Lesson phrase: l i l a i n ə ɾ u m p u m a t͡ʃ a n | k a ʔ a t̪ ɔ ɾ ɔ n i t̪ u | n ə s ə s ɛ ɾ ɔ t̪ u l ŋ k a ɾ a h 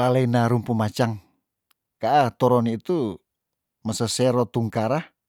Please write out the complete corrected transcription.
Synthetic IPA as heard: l a l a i n a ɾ u m p u m a t͡ʃ a ŋ | k a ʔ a t̪ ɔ ɾ ɔ n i t̪ u | m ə s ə s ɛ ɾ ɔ t̪ u ŋ k a ɾ a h